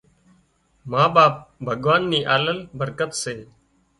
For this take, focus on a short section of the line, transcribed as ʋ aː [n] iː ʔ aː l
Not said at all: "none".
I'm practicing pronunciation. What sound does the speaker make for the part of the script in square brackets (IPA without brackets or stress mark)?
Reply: nː